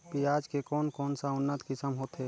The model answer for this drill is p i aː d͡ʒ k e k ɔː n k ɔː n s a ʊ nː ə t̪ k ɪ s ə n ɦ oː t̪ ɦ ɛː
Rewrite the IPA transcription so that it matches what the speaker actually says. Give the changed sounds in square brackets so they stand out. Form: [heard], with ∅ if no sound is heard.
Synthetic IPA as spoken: p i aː d͡ʒ k e k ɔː n k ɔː n s a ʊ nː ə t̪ k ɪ s ə [m] ɦ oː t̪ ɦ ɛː